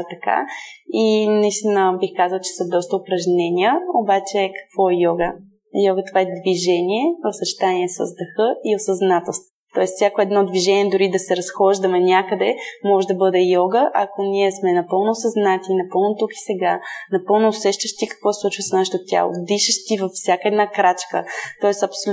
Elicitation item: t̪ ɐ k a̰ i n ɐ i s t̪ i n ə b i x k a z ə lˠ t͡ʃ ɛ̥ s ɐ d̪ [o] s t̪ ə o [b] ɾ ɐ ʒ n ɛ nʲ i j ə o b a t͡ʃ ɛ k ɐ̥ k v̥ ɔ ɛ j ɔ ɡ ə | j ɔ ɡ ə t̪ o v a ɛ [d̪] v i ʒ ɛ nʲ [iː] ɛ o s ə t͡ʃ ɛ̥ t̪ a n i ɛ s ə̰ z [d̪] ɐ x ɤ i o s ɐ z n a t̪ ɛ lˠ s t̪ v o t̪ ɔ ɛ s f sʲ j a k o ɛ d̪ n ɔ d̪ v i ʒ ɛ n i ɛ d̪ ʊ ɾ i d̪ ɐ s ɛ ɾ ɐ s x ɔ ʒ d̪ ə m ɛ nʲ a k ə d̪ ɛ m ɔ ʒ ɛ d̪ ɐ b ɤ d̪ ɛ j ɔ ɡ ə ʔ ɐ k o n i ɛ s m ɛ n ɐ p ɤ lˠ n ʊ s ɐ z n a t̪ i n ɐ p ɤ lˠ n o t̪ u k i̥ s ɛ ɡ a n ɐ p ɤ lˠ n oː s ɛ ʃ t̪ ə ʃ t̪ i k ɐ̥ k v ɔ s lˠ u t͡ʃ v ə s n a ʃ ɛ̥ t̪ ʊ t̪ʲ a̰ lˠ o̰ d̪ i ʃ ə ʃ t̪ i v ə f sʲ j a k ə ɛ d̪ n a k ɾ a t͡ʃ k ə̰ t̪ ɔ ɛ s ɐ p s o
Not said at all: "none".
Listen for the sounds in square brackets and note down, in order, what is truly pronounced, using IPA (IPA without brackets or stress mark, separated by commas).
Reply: ɔ, p, d̪, i, d̪